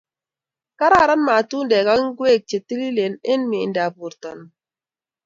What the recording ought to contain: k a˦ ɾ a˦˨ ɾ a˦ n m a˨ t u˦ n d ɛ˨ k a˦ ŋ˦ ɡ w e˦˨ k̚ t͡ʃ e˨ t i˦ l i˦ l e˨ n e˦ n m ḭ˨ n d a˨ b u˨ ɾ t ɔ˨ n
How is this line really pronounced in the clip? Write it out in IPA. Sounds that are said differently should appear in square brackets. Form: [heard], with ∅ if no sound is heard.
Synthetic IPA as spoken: k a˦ ɾ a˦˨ ɾ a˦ n m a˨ t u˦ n d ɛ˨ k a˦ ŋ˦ ɡ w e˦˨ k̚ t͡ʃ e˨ t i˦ l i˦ l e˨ n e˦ n m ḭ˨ n d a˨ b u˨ ɾ t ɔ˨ n